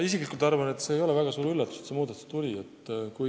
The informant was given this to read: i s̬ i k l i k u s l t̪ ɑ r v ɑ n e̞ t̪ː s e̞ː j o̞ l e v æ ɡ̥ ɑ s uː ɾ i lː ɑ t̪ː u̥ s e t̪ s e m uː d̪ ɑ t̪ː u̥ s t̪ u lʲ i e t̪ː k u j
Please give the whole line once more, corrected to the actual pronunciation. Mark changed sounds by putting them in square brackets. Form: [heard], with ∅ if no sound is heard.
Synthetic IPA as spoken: i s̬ i k l i k u [∅] l t̪ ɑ r v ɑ n e̞ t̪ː s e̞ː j o̞ l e v æ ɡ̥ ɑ s uː ɾ [y] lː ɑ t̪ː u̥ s e t̪ s e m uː d̪ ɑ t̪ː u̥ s t̪ u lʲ i e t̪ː k u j

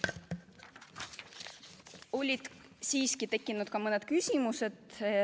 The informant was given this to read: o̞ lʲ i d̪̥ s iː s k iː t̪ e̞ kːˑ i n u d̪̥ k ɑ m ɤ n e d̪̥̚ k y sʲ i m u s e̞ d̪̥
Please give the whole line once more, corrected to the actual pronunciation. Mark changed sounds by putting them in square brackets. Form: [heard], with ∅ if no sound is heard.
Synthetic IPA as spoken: o̞ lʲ i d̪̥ s iː s k [i] t̪ e̞ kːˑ i n u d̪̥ k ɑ m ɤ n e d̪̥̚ k y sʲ i m u s e̞ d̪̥

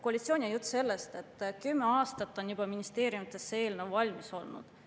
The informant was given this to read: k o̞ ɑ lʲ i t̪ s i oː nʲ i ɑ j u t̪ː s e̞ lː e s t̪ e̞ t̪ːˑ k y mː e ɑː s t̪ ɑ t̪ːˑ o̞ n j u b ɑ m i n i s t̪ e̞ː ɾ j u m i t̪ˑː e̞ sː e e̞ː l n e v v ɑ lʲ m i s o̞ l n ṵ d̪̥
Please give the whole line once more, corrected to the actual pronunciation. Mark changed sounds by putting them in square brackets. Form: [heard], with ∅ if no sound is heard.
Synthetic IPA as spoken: k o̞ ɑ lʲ i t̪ s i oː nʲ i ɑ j u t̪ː s e̞ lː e s t̪ e̞ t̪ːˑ k y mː e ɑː s t̪ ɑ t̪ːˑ o̞ n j u b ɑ m i n i s t̪ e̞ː ɾ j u m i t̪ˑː e̞ sː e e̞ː l n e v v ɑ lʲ m i s o̞ l n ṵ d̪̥

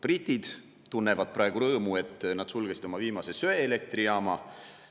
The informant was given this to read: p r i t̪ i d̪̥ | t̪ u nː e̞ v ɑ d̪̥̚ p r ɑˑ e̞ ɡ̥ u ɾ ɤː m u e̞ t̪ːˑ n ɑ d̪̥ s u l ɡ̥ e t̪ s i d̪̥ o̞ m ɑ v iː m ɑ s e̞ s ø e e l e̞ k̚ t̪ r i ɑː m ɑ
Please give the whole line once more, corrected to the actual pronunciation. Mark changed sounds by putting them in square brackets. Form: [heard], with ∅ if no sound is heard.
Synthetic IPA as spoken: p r i t̪ i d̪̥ | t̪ u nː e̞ v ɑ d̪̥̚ p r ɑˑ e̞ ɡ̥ u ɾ ɤː m u e̞ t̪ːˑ n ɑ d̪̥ s u l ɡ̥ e [∅] s i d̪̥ o̞ m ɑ v iː m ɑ s e̞ s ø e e l e̞ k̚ t̪ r i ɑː m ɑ

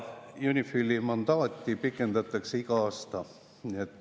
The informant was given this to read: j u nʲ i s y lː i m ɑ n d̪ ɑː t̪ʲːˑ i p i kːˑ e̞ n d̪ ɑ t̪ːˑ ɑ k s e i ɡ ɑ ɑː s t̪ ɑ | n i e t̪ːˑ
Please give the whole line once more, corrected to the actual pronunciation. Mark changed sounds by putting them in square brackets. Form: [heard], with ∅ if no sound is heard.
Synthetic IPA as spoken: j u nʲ i [f] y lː i m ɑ n d̪ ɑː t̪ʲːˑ i p i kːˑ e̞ n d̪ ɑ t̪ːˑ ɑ k s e i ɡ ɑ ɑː s t̪ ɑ | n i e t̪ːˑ

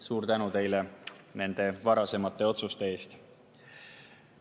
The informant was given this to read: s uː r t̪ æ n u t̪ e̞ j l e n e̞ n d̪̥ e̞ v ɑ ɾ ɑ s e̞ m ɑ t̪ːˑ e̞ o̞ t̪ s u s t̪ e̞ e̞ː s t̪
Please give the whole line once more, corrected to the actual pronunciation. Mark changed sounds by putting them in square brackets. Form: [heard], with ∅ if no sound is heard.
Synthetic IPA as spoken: s uː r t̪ æ n u t̪ e̞ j l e n e̞ n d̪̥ e̞ v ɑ ɾ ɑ s e̞ m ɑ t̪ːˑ e̞ o̞ t̪ s u s t̪ e̞ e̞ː s t̪

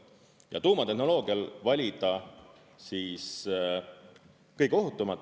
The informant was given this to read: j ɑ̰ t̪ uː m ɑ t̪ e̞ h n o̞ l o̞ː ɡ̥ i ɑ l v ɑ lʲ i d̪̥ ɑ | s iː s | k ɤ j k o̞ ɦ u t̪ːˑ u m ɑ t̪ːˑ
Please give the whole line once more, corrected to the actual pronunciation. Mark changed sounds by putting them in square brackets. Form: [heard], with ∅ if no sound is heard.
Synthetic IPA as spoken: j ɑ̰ t̪ uː m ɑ t̪ e̞ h n o̞ l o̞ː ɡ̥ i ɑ l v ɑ lʲ i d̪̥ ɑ | s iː s | k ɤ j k o̞ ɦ u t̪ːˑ u m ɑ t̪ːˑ

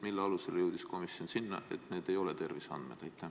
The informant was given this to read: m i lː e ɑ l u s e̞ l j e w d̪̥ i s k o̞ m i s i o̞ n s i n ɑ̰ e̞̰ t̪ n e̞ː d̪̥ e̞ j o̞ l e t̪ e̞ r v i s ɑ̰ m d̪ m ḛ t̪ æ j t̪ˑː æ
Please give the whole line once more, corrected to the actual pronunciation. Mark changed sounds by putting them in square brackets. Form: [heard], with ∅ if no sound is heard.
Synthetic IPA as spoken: m i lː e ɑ l u s e̞ l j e w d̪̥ i s k o̞ m i s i o̞ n s i [nː] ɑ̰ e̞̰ t̪ n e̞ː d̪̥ e̞ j o̞ l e t̪ e̞ r v i s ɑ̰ [n] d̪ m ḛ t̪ æ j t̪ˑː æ

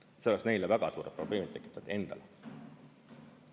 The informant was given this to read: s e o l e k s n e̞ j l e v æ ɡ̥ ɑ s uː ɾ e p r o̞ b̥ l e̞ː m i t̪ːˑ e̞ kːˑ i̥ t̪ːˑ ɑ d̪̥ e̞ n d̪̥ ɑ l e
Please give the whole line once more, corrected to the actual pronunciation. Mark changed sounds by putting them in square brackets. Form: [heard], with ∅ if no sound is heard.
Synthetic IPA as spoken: s e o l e k s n e̞ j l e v æ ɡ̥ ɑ s uː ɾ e p r o̞ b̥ l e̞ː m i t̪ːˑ e̞ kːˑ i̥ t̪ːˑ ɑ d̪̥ e̞ n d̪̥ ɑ l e

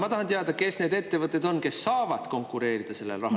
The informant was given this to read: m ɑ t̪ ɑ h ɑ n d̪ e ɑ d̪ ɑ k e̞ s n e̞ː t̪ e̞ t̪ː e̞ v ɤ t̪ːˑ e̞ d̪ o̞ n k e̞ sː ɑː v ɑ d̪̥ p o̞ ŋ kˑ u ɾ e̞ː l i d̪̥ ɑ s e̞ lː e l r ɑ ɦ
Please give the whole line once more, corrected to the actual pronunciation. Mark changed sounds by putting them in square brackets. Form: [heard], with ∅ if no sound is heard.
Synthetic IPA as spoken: m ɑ t̪ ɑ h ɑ n [t̪] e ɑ d̪ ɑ k e̞ s n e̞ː [d̪] e̞ t̪ː e̞ v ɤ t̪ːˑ e̞ d̪ o̞ n k e̞ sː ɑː v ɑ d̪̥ [k] o̞ ŋ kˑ u ɾ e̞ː [ɾ] i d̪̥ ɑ s e̞ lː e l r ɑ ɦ

